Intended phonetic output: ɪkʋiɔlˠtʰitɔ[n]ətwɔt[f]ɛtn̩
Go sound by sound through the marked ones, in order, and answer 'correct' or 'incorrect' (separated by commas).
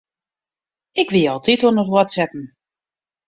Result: correct, incorrect